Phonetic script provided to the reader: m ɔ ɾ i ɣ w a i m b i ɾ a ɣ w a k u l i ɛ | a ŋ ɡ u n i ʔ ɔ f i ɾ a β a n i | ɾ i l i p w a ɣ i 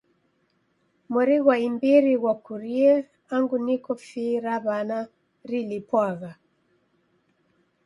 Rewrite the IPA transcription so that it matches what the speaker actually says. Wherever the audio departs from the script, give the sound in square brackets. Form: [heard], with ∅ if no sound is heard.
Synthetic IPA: m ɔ ɾ i ɣ w a i m b i ɾ [i] ɣ w a k u [ɾ] i ɛ | a ŋ ɡ u n i [k] ɔ f i ɾ a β a n [a] | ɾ i l i p w a ɣ [a]